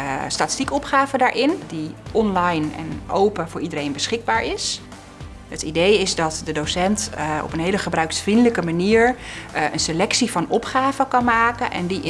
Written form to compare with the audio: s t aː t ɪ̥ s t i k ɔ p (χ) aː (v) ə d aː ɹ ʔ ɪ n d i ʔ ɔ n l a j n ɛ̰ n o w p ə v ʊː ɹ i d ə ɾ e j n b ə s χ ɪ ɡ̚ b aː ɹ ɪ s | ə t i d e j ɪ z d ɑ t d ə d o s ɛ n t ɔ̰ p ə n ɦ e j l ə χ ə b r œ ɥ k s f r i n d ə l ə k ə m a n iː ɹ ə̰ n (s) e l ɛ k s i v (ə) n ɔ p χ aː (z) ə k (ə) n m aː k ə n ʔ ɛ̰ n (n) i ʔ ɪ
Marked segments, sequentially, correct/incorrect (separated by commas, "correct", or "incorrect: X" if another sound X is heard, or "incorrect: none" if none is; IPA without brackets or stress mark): correct, correct, correct, incorrect: ɑ, incorrect: v, incorrect: ɑ, incorrect: d